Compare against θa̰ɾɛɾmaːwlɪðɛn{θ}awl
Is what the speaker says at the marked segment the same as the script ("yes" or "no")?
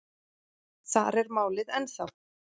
yes